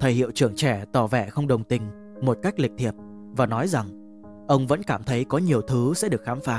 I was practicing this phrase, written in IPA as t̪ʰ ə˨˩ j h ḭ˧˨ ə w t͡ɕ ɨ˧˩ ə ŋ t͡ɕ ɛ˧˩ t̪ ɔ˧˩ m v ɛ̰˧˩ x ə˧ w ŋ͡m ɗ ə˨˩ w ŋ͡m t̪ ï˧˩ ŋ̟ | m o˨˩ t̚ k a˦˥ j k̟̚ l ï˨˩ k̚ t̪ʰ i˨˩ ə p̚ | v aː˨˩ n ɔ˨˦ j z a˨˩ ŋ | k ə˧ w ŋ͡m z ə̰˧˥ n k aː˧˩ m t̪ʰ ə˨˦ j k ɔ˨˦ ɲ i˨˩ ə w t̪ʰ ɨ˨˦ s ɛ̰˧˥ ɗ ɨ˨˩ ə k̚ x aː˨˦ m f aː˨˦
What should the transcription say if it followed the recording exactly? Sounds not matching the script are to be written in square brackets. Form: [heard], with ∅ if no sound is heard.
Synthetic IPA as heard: t̪ʰ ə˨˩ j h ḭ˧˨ ə w t͡ɕ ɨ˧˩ ə ŋ t͡ɕ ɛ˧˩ t̪ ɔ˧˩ [∅] v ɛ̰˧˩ x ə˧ w ŋ͡m ɗ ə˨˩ w ŋ͡m t̪ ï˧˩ ŋ̟ | m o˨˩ t̚ k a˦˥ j k̟̚ l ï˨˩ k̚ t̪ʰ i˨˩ ə p̚ | v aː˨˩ n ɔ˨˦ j z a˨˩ ŋ | [ʔ] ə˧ w ŋ͡m [v] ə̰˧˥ n k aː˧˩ m t̪ʰ ə˨˦ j k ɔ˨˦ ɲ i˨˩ ə w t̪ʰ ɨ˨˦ s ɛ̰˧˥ ɗ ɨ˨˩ ə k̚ x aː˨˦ m f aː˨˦